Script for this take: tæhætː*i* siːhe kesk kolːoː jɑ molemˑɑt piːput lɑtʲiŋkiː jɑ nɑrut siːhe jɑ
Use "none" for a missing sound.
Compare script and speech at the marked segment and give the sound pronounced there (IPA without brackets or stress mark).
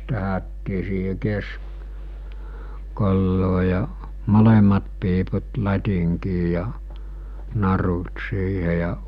iː